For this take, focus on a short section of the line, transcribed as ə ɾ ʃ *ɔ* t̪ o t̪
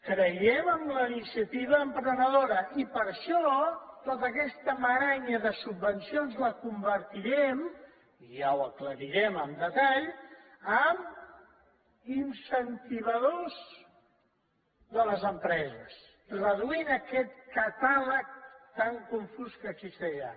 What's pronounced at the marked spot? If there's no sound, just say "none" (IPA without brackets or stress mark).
ɔ